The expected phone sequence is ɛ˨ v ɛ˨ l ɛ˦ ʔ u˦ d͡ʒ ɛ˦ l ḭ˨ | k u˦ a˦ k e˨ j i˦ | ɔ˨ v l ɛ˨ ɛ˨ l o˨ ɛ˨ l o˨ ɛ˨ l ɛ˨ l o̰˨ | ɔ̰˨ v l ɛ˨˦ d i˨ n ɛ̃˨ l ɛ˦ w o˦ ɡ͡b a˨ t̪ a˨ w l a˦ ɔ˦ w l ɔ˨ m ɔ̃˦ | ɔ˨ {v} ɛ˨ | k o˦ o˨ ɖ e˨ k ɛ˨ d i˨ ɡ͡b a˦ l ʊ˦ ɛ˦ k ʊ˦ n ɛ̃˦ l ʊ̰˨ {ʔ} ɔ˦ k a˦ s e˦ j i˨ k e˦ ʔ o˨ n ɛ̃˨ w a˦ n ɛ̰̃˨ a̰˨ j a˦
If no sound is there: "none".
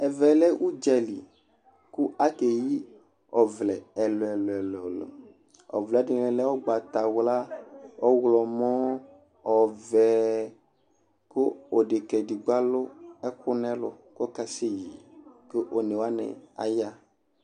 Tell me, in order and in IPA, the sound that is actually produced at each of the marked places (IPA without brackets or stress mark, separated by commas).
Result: v, k